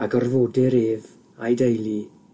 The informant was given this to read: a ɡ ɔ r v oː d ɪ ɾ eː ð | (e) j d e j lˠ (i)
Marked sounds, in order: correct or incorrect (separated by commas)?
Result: incorrect, correct